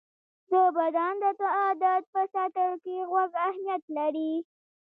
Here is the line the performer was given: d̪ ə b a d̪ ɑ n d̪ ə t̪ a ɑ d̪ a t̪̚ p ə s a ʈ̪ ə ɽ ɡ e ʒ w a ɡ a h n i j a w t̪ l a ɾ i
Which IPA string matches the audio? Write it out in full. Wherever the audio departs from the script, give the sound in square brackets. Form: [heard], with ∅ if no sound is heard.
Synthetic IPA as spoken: d̪ ə b a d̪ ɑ n d̪ ə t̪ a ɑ d̪ a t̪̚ p ə s a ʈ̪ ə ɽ [k] e [ɣ] w a ɡ a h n i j a [∅] t̪ l a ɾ i